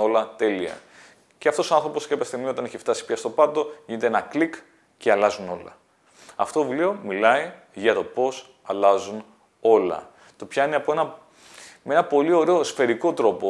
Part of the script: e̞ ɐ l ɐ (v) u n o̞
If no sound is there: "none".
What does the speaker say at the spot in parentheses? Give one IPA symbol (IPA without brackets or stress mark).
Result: z